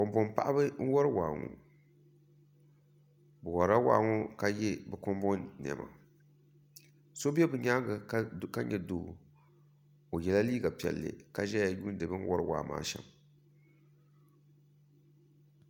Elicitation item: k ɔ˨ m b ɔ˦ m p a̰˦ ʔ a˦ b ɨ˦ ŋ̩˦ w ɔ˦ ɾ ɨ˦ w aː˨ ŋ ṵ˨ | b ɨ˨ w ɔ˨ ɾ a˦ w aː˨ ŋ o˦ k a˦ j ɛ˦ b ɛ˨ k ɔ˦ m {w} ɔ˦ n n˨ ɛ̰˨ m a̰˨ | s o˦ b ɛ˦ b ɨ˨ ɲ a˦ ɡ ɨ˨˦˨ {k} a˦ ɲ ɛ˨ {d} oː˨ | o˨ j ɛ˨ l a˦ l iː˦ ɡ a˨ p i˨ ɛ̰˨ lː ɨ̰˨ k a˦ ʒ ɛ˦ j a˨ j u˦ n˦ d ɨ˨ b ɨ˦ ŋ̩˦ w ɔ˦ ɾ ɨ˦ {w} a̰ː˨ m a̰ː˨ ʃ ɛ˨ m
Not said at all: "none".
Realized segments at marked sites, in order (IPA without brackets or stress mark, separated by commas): b, k, d, w